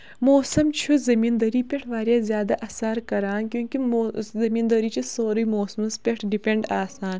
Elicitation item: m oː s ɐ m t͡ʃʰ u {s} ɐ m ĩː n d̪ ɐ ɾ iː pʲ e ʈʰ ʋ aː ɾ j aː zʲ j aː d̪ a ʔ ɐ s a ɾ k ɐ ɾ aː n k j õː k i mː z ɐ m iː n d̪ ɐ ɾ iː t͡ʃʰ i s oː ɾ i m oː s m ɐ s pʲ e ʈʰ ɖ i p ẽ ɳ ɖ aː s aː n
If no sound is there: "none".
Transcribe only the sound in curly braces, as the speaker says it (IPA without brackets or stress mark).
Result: z